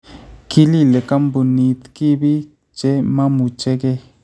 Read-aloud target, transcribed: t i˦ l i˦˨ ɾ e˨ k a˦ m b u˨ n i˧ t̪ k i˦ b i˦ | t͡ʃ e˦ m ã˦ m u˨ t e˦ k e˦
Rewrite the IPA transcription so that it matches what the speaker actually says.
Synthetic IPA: k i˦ l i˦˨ l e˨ k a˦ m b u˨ n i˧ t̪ k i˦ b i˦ | t͡ʃ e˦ m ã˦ m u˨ t͡ʃ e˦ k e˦